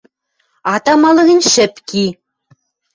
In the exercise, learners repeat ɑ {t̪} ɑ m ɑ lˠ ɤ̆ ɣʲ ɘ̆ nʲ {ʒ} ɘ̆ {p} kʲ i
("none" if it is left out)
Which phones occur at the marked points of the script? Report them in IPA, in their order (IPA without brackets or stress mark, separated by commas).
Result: t̪, ʃ, p